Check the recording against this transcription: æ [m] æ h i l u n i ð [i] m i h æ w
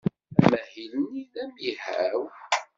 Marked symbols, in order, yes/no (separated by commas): yes, no